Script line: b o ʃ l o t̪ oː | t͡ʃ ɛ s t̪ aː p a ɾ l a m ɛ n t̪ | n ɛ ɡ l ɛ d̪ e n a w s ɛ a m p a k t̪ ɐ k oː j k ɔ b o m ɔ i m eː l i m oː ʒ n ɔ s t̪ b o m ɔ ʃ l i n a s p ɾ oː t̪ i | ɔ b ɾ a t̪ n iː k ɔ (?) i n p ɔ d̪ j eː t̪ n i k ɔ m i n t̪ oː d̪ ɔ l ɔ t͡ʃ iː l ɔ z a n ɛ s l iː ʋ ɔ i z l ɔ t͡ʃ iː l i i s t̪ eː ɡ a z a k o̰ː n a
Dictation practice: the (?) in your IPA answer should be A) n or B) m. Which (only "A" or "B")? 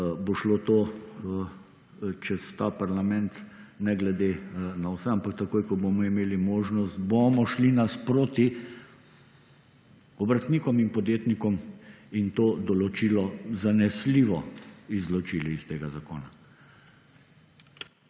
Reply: B